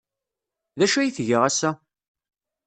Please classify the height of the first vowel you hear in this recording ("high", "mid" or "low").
low